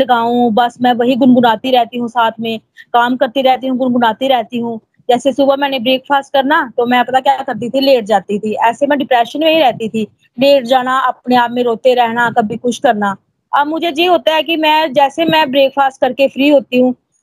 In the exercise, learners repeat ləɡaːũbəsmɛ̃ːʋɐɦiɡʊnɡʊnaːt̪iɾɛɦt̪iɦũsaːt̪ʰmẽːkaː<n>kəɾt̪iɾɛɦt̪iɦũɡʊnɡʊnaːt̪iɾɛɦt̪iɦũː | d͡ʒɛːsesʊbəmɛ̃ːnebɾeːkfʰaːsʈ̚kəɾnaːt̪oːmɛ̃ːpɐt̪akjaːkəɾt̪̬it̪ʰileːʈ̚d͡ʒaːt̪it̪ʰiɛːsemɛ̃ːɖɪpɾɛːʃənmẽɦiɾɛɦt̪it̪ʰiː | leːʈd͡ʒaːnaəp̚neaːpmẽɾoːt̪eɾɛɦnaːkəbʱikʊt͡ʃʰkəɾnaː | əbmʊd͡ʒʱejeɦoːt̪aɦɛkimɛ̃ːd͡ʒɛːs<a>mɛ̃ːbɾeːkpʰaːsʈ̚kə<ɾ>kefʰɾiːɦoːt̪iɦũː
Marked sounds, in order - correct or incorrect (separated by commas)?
incorrect, incorrect, correct